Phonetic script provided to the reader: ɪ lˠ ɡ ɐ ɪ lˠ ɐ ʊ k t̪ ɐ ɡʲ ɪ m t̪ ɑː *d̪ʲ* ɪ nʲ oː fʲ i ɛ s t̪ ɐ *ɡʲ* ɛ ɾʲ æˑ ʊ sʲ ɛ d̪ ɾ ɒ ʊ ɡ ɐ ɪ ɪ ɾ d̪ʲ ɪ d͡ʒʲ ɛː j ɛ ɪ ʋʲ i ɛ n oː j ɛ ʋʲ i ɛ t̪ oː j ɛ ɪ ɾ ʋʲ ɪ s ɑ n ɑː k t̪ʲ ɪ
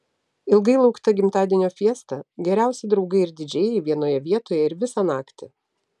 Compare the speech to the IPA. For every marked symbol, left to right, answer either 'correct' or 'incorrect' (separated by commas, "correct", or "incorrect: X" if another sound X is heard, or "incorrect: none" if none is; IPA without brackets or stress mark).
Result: correct, correct